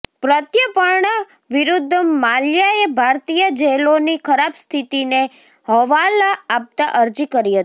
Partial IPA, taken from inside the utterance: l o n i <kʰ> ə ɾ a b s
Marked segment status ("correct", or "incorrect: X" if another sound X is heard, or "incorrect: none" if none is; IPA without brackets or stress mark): correct